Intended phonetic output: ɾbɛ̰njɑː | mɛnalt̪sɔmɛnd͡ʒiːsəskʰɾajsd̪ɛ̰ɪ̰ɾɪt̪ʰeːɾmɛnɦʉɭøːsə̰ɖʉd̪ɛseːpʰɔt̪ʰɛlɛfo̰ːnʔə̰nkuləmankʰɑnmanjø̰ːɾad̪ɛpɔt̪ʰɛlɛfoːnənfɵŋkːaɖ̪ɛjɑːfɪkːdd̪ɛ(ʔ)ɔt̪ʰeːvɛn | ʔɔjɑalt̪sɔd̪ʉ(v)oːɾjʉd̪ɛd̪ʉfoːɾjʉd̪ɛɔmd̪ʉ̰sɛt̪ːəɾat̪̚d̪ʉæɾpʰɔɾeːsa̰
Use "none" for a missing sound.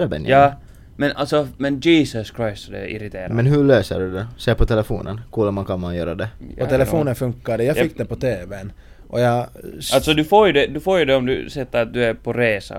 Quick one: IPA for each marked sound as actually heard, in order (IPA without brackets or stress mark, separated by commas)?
p, f